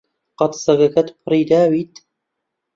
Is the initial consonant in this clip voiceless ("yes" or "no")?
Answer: yes